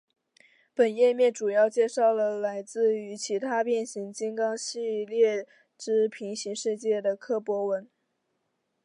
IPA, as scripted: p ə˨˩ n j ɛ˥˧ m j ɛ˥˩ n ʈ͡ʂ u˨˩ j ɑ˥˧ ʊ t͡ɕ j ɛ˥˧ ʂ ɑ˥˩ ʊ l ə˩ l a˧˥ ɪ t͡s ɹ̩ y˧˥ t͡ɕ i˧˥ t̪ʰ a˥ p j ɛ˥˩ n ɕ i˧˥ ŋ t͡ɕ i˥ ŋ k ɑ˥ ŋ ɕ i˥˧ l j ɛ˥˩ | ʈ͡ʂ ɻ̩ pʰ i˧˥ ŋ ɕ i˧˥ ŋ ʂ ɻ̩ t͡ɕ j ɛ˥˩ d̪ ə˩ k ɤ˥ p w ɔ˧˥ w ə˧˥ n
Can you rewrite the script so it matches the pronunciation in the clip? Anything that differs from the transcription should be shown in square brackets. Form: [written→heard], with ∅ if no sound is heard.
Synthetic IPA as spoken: p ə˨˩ n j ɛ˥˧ m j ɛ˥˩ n ʈ͡ʂ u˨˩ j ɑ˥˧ ʊ t͡ɕ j ɛ˥˧ ʂ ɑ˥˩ ʊ l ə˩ l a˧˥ ɪ t͡s ɹ̩ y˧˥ [t͡ɕ→t͡ɕʰ] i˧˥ t̪ʰ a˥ p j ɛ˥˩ n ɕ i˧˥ ŋ t͡ɕ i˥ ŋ k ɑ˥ ŋ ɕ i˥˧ l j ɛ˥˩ | ʈ͡ʂ ɻ̩ pʰ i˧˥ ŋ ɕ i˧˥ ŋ ʂ ɻ̩ t͡ɕ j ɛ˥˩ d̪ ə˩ [k→kʰ] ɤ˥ p w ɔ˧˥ w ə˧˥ n